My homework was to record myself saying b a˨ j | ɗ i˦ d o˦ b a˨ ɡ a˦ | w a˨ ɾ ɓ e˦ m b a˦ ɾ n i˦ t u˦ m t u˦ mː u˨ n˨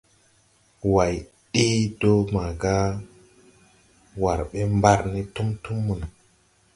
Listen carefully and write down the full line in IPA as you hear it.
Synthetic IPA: w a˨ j | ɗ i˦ d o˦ m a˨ ɡ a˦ | w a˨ ɾ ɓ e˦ m b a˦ ɾ n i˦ t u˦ m t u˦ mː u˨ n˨